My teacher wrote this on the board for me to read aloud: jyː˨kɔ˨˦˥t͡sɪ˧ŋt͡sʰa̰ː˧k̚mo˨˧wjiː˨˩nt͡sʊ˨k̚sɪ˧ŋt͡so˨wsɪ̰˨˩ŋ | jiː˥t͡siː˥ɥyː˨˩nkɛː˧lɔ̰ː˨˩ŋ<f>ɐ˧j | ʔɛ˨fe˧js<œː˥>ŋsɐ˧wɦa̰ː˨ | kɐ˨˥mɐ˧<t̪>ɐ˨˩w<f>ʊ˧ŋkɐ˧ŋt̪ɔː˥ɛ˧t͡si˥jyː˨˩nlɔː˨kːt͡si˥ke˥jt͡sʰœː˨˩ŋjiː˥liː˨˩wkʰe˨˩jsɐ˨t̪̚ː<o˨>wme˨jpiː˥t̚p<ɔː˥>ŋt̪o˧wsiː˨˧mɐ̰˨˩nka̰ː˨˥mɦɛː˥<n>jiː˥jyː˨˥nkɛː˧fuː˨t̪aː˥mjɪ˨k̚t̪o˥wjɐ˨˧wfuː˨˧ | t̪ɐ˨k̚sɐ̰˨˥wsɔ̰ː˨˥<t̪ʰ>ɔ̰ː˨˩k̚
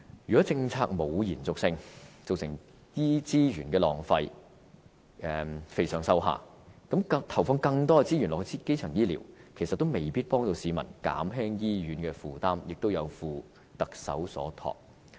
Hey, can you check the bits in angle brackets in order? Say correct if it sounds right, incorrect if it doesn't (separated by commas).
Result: correct, incorrect, incorrect, correct, incorrect, correct, incorrect, correct